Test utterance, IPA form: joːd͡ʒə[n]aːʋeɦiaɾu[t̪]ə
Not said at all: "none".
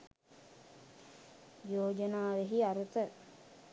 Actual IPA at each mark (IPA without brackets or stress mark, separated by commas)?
n, t̪